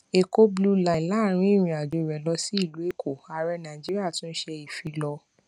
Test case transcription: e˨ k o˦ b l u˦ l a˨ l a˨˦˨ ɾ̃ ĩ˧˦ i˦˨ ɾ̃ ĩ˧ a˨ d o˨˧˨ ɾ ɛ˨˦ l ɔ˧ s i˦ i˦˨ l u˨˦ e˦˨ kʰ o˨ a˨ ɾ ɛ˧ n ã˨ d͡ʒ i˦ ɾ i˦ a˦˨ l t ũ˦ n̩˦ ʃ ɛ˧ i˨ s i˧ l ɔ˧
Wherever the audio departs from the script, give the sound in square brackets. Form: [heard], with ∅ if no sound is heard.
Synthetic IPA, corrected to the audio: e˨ k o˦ b l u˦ l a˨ l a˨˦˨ ɾ̃ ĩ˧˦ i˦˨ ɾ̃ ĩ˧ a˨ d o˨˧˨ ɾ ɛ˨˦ l ɔ˧ s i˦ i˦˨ l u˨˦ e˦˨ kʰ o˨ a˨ ɾ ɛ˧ n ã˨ d͡ʒ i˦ ɾ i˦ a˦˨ [∅] t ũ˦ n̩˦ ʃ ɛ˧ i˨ [f] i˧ l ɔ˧